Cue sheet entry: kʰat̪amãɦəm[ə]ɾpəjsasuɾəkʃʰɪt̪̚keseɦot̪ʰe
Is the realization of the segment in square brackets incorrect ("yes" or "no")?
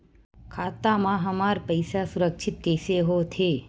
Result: yes